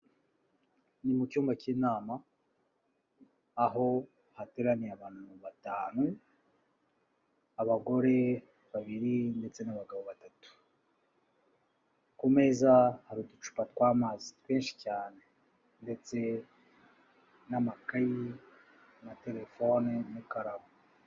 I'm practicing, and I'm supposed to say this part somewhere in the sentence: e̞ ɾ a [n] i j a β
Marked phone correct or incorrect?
correct